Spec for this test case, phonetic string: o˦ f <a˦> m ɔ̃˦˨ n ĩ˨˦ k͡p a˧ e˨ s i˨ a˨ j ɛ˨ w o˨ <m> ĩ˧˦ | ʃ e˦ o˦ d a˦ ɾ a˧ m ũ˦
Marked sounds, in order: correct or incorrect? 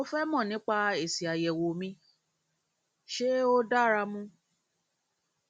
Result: incorrect: ɛ˦, correct

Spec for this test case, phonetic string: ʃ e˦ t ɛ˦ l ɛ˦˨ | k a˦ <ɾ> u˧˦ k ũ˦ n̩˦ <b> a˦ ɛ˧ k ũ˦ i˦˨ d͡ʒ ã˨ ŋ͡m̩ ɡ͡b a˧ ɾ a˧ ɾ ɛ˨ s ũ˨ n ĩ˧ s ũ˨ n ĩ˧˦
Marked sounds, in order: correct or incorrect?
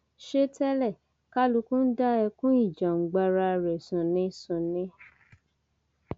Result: incorrect: l, incorrect: d

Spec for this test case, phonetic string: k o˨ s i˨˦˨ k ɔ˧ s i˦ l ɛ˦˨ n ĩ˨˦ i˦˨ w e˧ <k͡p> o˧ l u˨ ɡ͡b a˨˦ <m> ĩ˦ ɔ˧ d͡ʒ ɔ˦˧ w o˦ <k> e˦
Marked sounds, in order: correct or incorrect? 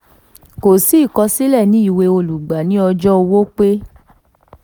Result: incorrect: none, incorrect: n, incorrect: k͡p

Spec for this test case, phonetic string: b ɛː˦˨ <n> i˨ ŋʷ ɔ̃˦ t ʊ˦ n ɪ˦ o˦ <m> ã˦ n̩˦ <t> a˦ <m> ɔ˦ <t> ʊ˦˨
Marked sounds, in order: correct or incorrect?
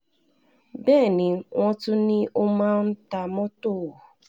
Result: correct, correct, correct, correct, correct

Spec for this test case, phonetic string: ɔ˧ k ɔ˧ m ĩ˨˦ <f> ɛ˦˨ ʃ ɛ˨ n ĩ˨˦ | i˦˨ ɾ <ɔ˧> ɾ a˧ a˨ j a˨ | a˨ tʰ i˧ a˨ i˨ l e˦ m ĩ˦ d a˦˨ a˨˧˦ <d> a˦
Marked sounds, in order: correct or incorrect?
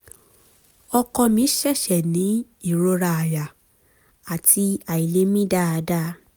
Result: incorrect: ʃ, incorrect: o˧, correct

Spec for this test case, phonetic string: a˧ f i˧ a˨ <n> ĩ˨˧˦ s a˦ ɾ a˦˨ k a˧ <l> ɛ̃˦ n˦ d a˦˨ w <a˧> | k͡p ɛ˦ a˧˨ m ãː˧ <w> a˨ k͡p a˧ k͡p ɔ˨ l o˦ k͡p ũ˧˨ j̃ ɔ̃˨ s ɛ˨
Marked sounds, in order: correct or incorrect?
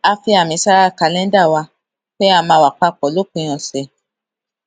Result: incorrect: m, correct, correct, correct

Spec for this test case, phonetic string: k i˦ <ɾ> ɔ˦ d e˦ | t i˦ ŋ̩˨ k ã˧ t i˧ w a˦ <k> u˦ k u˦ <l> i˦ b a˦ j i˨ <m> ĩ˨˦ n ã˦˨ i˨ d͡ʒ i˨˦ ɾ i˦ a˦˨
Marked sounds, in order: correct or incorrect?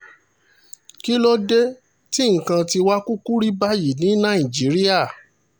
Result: incorrect: l, correct, incorrect: ɾ, incorrect: n

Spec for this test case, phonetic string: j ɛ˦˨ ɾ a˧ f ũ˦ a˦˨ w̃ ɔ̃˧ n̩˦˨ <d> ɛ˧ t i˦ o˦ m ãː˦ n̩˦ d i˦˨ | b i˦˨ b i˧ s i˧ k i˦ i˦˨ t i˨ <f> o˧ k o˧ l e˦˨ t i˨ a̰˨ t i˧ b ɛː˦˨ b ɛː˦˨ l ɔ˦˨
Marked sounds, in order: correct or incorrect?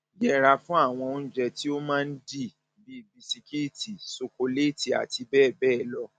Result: incorrect: d͡ʒ, incorrect: s

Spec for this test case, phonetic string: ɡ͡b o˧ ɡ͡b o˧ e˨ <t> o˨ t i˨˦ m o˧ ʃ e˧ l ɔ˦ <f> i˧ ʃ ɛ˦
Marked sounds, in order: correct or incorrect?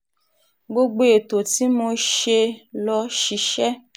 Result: correct, incorrect: ʃ

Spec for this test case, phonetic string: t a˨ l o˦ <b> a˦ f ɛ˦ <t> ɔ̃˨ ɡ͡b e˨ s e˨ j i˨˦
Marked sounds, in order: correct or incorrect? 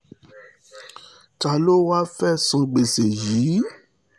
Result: incorrect: w, incorrect: s

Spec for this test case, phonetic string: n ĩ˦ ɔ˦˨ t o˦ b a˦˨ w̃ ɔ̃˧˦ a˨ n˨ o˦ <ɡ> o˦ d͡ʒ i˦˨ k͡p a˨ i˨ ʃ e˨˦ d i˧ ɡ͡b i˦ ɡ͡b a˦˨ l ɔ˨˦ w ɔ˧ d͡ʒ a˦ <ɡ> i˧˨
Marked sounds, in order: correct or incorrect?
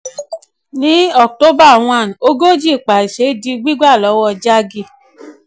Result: correct, correct

